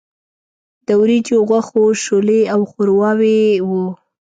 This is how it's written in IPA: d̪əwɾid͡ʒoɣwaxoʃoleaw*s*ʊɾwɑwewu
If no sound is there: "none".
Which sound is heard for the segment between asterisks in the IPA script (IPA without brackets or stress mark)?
x